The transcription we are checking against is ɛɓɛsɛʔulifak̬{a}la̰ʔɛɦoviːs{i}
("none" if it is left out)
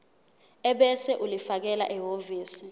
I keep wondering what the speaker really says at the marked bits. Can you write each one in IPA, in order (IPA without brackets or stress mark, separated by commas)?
ɛ, i